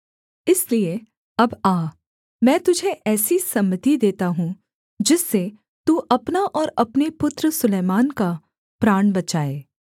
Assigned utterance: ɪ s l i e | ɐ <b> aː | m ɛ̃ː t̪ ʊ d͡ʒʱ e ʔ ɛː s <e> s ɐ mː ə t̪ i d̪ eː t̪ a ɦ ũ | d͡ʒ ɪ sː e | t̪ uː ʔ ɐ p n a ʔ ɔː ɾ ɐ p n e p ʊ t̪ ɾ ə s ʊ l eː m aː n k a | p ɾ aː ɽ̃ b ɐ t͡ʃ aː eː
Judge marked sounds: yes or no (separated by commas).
yes, no